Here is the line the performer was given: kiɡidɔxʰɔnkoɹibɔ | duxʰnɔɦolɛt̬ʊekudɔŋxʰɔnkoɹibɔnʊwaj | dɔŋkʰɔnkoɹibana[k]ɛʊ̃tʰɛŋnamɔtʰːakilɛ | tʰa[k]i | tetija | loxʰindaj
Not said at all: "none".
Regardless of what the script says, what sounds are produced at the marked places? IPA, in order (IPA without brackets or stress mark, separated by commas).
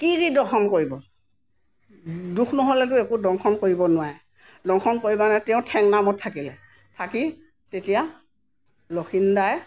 t, k